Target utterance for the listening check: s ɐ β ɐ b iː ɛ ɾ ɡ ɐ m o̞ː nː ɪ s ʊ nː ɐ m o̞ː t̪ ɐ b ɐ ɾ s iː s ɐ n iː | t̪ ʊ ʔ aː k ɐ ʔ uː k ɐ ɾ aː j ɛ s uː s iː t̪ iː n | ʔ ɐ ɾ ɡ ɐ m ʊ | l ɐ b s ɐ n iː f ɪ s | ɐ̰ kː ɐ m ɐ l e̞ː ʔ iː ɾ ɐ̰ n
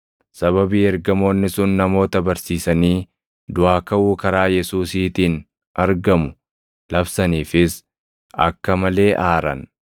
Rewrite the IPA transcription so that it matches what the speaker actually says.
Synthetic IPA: s ɐ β ɐ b iː ɛ ɾ ɡ ɐ m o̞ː nː ɪ s ʊ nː ɐ m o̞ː t̪ ɐ b ɐ ɾ s iː s ɐ n iː | d̪ ʊ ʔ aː k ɐ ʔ uː k ɐ ɾ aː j ɛ s uː s iː t̪ iː n | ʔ ɐ ɾ ɡ ɐ m ʊ | l ɐ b s ɐ n iː f ɪ s | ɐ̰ kː ɐ m ɐ l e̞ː ʔ aː ɾ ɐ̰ n